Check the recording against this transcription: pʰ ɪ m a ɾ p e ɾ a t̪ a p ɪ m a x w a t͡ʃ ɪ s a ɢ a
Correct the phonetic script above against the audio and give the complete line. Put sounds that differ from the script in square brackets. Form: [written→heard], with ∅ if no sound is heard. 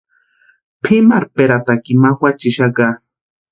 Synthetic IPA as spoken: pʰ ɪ m a ɾ p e ɾ a t̪ a [p→k] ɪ m a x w a t͡ʃ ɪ [s→ʃ] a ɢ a